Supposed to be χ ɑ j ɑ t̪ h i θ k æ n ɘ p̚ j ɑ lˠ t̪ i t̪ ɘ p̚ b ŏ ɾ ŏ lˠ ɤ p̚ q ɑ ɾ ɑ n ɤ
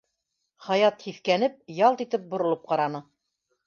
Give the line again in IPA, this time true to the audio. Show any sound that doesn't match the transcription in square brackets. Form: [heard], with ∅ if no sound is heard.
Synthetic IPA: χ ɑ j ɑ t̪ h i θ k æ n ɘ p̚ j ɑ lˠ t̪ i t̪ ɘ p̚ b ŏ ɾ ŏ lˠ ɤ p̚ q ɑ ɾ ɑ n ɤ